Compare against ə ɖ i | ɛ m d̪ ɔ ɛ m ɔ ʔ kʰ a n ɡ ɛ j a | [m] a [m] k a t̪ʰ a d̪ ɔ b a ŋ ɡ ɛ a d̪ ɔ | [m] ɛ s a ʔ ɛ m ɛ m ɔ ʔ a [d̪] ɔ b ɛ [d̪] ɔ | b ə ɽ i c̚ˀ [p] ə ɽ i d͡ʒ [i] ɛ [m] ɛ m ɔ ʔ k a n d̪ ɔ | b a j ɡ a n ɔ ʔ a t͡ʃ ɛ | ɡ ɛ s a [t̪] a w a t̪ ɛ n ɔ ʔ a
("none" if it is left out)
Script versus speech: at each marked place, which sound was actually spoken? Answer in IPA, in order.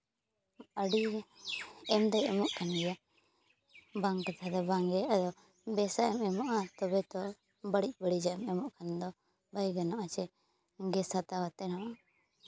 b, ŋ, b, t̪, t̪, b, a, m, t̪

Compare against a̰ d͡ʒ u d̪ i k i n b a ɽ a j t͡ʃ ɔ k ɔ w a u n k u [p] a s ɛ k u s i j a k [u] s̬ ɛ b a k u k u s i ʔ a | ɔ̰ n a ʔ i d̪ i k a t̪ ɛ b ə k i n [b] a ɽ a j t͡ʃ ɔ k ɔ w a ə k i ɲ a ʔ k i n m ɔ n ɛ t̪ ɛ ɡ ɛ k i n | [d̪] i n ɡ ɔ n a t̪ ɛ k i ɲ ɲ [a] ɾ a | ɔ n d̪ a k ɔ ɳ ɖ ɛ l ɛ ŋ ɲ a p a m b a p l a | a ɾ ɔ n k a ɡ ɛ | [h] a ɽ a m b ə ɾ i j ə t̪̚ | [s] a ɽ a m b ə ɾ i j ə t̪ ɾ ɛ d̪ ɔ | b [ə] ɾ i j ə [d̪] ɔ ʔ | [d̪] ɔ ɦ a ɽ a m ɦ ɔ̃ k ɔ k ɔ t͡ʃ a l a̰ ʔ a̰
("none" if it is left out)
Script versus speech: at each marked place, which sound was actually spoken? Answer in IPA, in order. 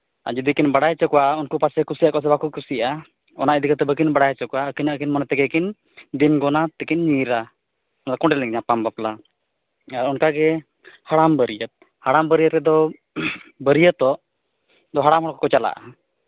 p, ɔ, b, d̪, i, h, h, ə, t̪, d̪

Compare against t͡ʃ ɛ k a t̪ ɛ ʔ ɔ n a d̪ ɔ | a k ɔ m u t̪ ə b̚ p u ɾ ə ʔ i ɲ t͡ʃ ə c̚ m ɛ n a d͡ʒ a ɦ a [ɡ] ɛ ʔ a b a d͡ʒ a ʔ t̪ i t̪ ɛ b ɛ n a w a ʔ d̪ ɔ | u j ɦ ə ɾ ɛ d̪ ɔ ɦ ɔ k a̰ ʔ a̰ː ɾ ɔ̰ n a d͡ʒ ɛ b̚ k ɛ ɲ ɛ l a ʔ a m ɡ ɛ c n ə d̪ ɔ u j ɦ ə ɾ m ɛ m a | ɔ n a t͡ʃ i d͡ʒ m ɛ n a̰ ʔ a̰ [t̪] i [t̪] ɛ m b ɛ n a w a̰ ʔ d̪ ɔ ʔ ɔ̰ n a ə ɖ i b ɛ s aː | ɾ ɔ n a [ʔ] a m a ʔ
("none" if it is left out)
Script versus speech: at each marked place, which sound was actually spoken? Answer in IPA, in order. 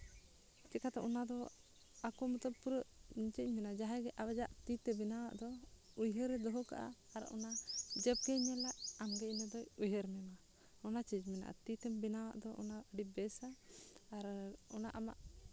ɡ, t̪, t̪, ʔ

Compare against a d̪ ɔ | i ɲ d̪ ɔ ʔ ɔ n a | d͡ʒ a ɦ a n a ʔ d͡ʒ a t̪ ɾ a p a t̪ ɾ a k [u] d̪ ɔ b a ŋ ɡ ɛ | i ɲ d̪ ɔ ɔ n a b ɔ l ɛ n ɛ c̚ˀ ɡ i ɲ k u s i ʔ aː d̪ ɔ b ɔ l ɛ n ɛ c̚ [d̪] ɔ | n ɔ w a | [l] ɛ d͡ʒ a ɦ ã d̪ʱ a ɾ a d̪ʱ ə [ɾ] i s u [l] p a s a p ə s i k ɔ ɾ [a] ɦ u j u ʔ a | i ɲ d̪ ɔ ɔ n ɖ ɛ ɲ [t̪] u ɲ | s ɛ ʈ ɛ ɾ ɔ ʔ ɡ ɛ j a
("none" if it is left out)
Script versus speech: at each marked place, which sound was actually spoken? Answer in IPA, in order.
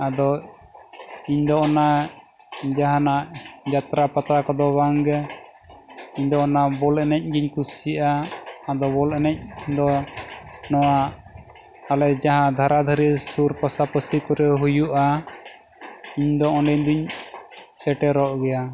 ɔ, d̪, l, ɾ, ɾ, ɛ, d̪

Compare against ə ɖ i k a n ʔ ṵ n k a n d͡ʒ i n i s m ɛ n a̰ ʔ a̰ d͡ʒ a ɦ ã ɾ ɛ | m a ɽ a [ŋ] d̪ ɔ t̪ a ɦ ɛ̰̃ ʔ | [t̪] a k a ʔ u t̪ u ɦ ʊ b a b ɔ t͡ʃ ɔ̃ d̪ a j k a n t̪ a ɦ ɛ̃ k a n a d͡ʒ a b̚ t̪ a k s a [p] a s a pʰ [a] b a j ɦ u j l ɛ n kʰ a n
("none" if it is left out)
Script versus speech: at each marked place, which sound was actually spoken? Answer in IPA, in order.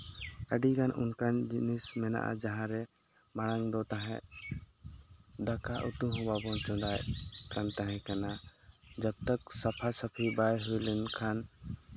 ŋ, d̪, pʰ, i

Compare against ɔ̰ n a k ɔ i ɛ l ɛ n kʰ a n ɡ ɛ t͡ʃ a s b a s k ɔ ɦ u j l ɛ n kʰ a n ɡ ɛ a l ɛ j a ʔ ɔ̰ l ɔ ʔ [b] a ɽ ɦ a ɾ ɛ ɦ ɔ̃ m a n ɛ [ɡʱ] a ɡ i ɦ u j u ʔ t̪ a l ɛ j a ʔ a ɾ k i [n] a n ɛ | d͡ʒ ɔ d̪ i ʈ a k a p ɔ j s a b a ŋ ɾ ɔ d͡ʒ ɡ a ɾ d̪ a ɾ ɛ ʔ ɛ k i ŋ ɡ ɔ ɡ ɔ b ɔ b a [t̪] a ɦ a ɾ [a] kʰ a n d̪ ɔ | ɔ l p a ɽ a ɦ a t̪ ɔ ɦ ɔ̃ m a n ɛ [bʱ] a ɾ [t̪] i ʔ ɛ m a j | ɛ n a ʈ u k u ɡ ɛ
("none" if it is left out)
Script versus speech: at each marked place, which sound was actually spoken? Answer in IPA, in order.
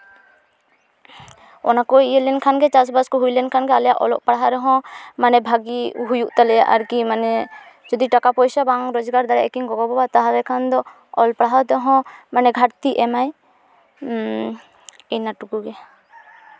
p, bʱ, m, t̪, ɛ, ɡʱ, t̪

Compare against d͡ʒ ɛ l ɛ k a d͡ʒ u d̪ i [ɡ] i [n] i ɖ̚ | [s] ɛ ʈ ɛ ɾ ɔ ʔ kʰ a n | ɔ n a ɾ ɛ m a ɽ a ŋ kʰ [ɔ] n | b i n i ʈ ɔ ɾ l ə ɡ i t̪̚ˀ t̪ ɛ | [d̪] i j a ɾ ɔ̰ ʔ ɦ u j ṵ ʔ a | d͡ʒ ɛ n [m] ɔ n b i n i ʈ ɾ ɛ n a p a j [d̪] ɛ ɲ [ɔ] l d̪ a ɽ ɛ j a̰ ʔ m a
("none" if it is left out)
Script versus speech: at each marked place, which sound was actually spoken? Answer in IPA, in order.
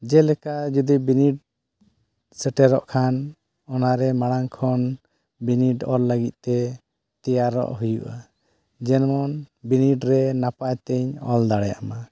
b, n, s, ɔ, t̪, m, t̪, ɔ

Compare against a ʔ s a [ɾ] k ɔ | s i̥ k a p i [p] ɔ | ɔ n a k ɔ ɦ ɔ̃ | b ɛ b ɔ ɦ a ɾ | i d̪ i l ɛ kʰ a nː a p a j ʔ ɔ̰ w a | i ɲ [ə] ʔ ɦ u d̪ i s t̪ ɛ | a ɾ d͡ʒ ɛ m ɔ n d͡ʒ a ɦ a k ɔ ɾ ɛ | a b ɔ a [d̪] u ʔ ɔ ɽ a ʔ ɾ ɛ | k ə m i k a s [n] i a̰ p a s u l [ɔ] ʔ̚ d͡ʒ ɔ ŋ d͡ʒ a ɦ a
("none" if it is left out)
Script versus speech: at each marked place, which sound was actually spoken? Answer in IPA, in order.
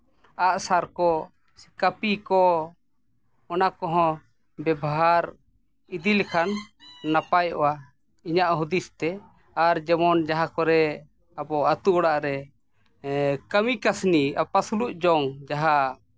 ɾ, k, a, t̪, n, u

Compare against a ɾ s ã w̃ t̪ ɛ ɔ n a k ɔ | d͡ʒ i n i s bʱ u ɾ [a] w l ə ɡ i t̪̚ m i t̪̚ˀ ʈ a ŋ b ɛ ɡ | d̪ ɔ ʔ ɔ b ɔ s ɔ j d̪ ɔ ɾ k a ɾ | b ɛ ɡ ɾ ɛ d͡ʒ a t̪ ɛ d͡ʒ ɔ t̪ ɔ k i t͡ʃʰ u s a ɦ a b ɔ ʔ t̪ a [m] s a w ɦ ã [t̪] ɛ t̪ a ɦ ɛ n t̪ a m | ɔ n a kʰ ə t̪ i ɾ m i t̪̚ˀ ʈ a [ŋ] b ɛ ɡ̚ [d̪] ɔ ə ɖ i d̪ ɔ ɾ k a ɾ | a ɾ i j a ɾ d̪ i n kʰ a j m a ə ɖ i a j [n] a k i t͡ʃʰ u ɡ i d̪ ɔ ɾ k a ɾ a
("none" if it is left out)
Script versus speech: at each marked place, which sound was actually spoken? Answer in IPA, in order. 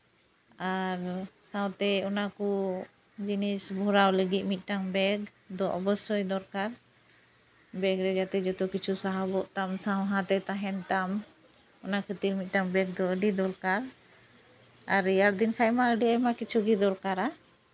a, m, t̪, ŋ, d̪, m

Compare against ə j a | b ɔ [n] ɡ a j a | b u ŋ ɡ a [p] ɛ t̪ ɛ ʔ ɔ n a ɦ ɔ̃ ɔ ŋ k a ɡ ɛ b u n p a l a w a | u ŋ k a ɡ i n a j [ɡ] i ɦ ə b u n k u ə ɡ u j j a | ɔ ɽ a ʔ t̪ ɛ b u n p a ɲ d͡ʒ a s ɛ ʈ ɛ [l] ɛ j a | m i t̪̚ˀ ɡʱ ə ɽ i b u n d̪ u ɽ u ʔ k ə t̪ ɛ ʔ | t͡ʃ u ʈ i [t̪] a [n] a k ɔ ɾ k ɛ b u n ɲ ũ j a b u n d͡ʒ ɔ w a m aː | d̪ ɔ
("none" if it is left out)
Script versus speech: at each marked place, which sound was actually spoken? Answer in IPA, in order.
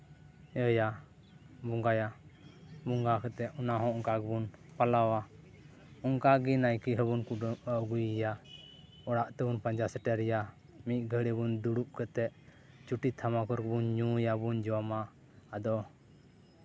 ŋ, k, k, ɾ, t̪ʰ, m

